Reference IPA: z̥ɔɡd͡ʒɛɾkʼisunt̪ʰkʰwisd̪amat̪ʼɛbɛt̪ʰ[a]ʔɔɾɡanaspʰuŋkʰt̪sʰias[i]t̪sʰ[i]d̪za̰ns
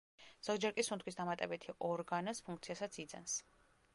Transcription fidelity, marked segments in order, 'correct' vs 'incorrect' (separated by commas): incorrect, incorrect, correct